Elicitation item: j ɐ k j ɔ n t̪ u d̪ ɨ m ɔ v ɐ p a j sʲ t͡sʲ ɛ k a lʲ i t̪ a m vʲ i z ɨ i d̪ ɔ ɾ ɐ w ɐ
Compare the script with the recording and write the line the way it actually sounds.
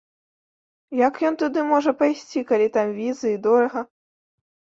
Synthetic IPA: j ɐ k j ɔ n t̪ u d̪ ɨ m ɔ ʐ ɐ p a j sʲ t͡sʲ i k a lʲ i t̪ a m vʲ i z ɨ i d̪ ɔ ɾ ɐ ɣ ɐ